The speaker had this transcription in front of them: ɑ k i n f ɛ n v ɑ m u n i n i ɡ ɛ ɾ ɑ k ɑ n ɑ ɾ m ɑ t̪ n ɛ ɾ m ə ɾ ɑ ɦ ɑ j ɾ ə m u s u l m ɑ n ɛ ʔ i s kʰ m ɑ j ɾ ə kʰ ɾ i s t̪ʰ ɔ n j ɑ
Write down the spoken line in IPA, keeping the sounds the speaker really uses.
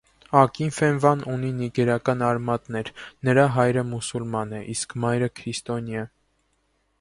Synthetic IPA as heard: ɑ k i n f ɛ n v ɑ n u n i n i ɡ ɛ ɾ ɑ k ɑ n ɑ ɾ m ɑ t̪ n ɛ ɾ n ə ɾ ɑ ɦ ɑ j ɾ ə m u s u l m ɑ n ɛ ʔ i s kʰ m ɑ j ɾ ə kʰ ɾ i s t̪ ɔ n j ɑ